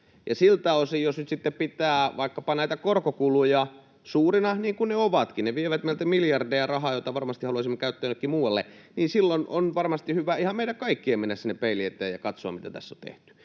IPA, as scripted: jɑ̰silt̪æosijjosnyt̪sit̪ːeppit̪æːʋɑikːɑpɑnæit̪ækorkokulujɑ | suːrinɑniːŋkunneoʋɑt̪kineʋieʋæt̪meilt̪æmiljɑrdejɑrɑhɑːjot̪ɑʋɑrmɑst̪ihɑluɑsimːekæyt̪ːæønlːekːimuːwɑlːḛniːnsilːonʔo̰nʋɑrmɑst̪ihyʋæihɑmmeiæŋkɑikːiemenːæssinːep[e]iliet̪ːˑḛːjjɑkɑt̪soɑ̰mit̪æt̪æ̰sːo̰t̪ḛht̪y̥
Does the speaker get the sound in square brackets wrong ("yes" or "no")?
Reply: no